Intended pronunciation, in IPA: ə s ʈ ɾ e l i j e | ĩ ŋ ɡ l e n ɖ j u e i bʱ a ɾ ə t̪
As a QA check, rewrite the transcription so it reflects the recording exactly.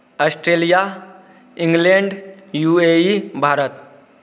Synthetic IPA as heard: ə s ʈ ɾ e l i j a | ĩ ŋ ɡ l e ɳ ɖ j u e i bʱ a ɾ ə t̪